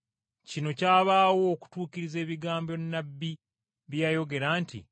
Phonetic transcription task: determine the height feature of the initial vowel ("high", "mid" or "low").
high